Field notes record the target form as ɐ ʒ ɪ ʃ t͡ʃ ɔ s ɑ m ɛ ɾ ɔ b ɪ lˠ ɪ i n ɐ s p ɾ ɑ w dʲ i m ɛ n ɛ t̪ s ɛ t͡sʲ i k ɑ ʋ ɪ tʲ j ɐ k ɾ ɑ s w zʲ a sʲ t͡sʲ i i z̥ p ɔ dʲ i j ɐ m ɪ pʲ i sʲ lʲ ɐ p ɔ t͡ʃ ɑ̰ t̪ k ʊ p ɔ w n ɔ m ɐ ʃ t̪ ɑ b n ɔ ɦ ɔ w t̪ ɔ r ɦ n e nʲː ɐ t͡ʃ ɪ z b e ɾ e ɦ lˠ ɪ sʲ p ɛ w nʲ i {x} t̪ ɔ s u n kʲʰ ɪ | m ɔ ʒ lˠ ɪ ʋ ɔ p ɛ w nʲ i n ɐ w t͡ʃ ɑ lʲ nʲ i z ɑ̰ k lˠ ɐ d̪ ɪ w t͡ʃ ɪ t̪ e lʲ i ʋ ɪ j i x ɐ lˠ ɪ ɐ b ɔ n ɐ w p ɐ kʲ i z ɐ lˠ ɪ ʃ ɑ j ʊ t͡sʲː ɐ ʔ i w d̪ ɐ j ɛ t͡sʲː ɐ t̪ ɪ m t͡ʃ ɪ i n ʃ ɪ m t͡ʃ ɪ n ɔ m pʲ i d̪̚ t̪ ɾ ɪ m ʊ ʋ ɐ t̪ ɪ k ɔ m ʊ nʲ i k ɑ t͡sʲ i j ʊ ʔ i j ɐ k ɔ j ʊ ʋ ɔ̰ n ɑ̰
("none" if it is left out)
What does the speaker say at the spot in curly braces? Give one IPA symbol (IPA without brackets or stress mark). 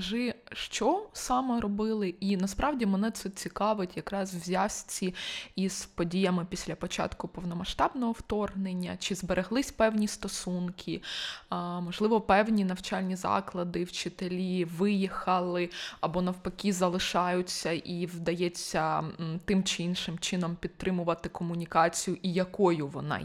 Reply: s